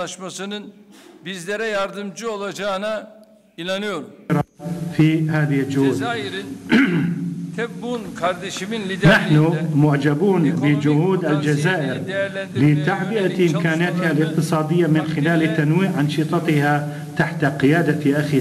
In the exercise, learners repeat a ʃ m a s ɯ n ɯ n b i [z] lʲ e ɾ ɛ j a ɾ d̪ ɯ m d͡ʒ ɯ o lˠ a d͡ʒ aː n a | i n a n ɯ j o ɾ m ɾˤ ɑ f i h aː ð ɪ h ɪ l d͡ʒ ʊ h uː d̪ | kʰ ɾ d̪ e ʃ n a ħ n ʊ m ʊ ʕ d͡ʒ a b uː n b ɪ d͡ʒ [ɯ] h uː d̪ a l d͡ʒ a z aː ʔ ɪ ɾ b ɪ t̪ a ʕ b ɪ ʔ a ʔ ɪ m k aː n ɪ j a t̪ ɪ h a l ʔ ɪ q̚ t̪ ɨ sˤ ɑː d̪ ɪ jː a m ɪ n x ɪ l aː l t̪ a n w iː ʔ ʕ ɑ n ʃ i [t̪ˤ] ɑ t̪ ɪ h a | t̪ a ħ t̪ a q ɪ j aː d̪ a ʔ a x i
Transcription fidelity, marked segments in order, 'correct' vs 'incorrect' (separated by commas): correct, incorrect, correct